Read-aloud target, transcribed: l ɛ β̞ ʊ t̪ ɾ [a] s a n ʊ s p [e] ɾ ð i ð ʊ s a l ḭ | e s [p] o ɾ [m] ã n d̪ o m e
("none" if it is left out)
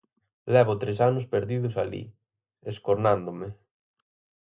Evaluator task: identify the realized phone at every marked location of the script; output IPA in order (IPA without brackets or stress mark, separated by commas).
e, e, k, n